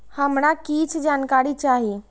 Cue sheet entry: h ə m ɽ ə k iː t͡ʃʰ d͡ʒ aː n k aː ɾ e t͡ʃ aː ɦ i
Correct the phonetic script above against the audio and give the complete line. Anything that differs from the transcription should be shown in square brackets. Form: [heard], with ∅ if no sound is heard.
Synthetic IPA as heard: h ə m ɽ [a] k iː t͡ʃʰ d͡ʒ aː n k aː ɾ [i] t͡ʃ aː ɦ i